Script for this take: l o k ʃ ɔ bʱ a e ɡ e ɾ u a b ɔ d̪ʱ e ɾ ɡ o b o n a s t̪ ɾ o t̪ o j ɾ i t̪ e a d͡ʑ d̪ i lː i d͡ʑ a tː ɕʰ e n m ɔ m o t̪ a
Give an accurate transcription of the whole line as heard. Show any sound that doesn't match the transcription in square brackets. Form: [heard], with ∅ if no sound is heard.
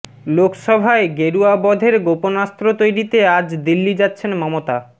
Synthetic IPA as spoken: l o k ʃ ɔ bʱ a e ɡ e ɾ u a b ɔ d̪ʱ e ɾ ɡ o [p] o n a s t̪ ɾ o t̪ o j ɾ i t̪ e a d͡ʑ d̪ i lː i d͡ʑ a tː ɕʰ e n m ɔ m o t̪ a